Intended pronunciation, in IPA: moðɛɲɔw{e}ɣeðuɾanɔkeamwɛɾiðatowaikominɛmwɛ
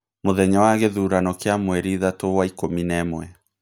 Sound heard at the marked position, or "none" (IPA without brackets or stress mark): a